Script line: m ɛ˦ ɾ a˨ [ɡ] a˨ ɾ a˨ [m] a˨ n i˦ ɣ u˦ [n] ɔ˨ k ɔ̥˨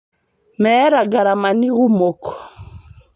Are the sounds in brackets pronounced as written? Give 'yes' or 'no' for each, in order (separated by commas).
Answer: yes, yes, no